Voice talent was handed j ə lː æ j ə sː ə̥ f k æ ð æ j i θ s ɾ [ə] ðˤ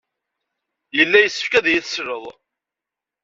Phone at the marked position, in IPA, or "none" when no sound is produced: ə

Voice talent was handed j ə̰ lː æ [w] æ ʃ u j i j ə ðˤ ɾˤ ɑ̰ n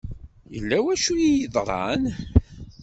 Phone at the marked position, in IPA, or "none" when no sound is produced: w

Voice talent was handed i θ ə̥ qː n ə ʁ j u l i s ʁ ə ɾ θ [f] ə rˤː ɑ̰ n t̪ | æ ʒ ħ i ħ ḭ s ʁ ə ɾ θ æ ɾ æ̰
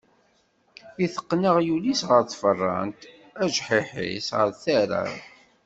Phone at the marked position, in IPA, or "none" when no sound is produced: f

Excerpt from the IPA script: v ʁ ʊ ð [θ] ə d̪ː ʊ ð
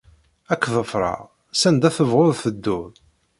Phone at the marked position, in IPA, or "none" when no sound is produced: θ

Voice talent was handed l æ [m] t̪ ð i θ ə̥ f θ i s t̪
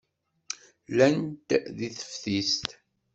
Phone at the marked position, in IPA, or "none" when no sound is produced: n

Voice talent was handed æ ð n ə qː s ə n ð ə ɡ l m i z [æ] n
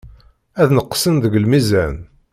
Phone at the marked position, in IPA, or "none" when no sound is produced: æ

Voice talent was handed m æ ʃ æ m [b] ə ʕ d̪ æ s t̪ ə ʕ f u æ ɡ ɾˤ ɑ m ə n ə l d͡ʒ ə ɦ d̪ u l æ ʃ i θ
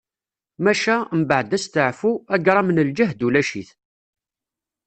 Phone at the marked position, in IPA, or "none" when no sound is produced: b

